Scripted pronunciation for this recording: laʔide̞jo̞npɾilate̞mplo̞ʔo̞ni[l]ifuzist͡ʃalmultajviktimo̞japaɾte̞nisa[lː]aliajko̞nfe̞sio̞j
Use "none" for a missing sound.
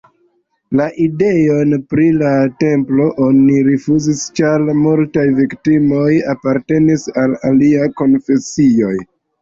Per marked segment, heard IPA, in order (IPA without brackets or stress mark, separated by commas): ɾ, l